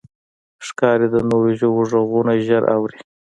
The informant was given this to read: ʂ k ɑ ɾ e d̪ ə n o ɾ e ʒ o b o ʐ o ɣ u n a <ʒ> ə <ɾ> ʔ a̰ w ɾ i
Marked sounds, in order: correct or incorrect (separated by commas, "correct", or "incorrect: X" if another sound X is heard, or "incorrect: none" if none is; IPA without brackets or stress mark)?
correct, correct